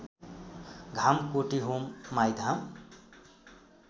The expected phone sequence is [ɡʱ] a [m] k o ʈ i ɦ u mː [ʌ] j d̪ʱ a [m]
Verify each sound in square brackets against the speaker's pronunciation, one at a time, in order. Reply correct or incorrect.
correct, correct, incorrect, correct

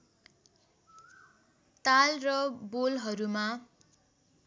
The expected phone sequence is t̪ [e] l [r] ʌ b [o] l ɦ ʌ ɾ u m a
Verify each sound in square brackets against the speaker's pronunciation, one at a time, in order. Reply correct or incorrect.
incorrect, correct, correct

